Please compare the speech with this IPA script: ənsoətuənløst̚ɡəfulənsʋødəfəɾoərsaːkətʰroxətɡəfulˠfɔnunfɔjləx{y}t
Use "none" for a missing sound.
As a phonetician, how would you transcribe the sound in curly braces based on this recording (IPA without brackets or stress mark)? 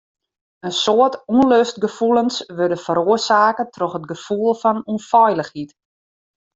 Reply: i